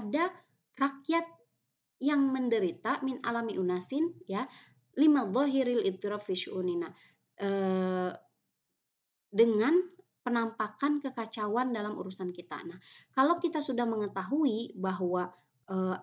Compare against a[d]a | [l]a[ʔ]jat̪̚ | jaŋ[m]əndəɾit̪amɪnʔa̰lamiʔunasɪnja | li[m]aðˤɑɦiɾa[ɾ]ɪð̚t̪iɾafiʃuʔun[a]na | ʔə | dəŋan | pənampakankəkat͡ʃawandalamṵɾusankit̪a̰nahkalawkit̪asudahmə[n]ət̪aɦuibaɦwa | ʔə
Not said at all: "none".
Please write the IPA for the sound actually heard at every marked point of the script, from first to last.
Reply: d, r, k, m, m, l, i, ŋ

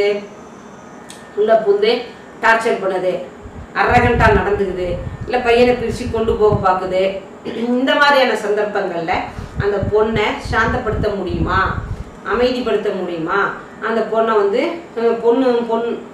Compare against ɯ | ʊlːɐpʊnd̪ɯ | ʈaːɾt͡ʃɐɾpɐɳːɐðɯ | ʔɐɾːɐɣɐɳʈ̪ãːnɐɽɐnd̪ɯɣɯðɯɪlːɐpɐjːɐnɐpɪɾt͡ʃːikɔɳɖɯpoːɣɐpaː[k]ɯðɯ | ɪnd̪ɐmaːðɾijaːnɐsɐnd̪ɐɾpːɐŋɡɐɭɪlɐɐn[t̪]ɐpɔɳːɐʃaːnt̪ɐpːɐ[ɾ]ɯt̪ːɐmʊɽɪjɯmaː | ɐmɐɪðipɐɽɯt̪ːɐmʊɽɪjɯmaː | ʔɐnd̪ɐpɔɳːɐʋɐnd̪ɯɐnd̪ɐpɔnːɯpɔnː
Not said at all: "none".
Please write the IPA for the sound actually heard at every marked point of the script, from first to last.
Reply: k, d̪, ɽ

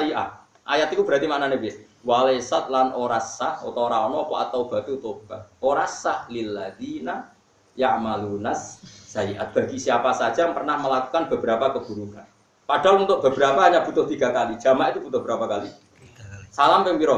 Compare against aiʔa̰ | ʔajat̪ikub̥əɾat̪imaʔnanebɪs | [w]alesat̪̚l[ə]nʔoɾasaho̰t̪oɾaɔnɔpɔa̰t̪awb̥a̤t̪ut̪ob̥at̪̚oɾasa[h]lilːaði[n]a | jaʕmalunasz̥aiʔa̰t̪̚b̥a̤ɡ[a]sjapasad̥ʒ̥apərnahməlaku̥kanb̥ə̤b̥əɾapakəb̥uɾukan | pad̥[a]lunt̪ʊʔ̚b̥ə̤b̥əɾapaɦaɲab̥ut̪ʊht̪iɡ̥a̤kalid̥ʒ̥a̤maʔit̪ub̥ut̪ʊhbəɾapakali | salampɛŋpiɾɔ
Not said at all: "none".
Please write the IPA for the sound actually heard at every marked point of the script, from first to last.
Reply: w, a, h, n, i, a

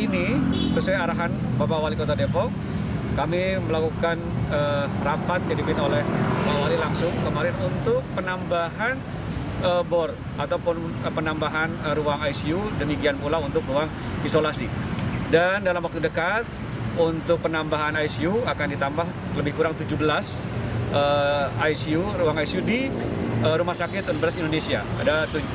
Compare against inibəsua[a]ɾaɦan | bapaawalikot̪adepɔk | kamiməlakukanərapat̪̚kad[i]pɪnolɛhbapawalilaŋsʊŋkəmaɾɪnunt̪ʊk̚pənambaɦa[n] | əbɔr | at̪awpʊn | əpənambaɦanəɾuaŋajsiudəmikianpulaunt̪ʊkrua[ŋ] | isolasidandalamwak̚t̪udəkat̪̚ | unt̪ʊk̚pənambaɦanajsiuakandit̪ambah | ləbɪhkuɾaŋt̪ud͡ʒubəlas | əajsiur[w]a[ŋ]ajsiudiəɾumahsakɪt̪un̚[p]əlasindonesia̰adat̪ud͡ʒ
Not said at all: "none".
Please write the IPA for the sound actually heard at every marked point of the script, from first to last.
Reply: a, i, n, ŋ, u, ŋ, b

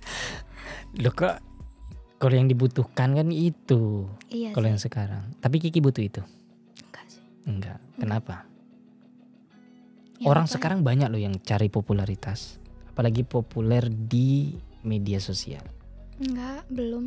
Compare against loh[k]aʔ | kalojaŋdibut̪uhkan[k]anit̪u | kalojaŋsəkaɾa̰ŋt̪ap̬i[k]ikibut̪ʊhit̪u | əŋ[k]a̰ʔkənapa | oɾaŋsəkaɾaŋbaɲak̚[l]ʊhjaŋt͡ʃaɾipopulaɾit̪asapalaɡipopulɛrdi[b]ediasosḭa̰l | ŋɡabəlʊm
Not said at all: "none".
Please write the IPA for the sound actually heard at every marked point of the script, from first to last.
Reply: k, k, k, ɡ, l, m

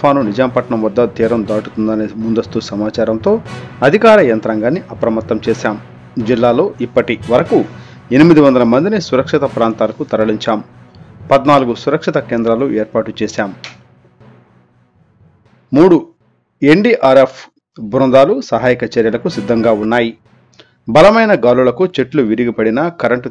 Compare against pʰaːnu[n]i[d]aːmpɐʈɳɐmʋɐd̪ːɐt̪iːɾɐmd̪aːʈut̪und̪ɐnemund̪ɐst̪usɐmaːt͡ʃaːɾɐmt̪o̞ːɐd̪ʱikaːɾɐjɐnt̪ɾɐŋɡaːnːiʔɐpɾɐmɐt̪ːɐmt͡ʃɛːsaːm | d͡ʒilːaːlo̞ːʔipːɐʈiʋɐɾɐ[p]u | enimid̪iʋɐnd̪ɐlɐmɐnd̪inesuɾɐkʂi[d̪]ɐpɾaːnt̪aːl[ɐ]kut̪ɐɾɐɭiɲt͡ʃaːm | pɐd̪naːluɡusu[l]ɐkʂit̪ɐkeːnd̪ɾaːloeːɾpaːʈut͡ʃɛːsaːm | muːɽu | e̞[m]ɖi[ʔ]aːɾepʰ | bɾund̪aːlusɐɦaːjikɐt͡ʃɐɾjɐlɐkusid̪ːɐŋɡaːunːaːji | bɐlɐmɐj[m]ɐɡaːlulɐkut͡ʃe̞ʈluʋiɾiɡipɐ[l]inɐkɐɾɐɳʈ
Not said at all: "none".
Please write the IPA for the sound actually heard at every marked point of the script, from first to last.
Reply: n, d͡ʒ, k, t̪, ɐ, ɾ, ɳ, ʔ, n, ɽ

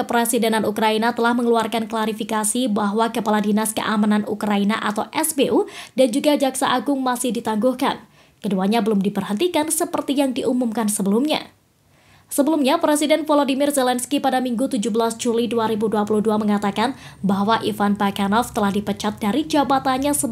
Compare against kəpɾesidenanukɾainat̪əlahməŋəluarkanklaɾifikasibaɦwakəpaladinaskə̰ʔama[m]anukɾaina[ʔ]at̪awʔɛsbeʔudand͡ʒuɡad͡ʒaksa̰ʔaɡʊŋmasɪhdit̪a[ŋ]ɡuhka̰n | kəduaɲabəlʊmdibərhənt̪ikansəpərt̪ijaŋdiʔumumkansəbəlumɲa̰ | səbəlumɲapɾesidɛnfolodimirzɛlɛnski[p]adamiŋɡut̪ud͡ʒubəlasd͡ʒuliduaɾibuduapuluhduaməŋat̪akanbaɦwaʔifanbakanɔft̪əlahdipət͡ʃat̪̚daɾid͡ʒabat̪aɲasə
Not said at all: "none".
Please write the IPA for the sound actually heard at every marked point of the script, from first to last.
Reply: n, ʔ, ŋ, p

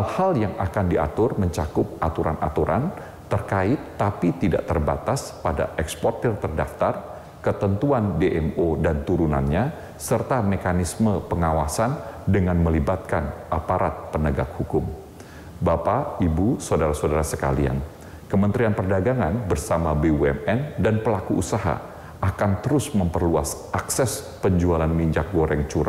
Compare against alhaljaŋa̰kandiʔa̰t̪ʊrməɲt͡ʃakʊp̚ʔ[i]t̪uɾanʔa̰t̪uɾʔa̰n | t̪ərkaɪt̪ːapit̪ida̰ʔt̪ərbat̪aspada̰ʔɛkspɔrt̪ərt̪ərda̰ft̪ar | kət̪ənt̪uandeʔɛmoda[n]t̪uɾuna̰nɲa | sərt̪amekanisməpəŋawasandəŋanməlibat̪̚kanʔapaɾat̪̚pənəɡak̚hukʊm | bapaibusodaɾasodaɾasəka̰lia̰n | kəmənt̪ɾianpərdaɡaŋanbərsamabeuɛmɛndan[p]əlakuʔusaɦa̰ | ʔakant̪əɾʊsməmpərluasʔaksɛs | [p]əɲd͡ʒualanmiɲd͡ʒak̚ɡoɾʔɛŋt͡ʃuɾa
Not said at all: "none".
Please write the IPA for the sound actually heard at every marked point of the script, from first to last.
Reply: a, n, p, p

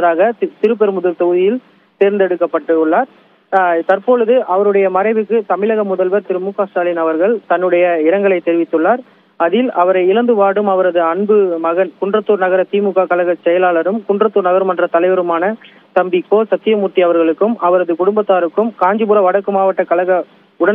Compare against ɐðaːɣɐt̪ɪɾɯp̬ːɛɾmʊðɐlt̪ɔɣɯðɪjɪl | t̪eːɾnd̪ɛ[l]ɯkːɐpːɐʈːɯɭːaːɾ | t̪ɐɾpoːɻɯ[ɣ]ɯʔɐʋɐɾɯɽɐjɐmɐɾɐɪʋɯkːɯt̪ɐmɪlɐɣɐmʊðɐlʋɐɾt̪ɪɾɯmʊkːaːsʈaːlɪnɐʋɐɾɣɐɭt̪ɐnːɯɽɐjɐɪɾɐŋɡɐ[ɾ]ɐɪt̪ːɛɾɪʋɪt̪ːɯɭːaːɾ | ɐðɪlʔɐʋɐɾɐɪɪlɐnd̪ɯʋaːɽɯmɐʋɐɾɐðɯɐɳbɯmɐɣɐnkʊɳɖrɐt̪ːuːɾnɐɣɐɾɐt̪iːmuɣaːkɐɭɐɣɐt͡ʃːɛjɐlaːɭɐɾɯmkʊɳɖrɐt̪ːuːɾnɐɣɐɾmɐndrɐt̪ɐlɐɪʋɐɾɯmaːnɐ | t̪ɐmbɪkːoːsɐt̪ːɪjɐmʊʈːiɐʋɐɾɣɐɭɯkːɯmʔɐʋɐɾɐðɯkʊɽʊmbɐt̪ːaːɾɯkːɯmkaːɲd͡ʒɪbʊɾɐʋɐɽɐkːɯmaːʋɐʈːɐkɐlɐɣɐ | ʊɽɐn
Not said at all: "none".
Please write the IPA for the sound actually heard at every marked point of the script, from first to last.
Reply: ɽ, ð, ɭ

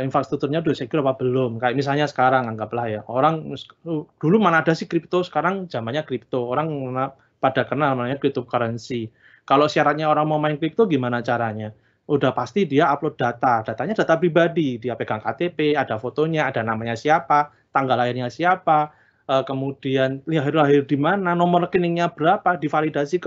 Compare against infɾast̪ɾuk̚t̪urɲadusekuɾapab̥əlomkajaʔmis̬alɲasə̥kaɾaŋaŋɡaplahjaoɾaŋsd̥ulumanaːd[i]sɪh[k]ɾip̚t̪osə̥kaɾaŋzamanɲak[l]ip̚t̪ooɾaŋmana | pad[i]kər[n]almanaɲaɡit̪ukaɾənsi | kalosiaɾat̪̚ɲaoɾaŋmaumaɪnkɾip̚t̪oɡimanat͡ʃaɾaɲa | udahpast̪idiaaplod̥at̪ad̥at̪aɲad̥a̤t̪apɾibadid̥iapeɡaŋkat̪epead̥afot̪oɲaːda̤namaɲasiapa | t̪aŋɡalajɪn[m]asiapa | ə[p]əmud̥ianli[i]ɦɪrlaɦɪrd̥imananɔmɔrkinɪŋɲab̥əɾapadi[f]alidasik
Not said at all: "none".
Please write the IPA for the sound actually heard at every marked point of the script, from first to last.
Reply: a, k, ɾ, a, n, ɲ, k, a, f

